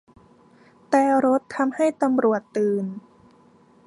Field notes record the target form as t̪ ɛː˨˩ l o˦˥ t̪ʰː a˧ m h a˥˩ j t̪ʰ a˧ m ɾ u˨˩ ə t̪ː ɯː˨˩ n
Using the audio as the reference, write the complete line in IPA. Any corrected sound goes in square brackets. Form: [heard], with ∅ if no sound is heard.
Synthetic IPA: t̪ ɛː˨˩ [ɾ] o˦˥ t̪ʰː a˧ m h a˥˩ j [t̪] a˧ m ɾ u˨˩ ə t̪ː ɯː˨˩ n